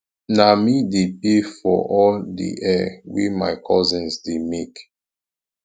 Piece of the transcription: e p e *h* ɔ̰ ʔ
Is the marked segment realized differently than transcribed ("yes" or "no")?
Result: yes